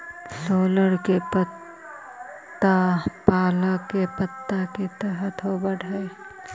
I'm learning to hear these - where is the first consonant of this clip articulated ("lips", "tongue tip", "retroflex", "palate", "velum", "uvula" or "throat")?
tongue tip